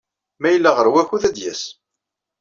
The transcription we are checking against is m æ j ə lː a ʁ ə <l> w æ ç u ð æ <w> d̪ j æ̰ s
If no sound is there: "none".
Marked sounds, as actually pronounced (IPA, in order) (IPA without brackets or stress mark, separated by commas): ɾ, none